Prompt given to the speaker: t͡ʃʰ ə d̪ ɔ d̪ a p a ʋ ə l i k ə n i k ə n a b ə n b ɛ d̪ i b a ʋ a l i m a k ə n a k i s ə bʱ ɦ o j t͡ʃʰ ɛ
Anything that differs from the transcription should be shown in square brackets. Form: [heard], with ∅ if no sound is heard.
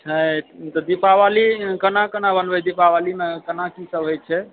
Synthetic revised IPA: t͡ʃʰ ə [t̪] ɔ d̪ [i] p a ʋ [a] l i k ə n [a] k ə n a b ə n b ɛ d̪ i [p] a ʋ a l i m [e] k ə n a k i s ə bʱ ɦ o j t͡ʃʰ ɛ